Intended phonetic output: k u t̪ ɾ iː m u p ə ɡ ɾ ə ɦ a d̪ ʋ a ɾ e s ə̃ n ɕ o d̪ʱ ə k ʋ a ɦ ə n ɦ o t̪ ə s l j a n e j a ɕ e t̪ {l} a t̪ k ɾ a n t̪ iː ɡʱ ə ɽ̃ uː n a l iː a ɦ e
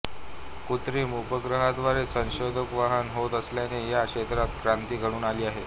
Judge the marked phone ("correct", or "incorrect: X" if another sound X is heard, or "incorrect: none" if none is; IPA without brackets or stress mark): incorrect: ɾ